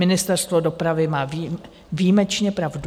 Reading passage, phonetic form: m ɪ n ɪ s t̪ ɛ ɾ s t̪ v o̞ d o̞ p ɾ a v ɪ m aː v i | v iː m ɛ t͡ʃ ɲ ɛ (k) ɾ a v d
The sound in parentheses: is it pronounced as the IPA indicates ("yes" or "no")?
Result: no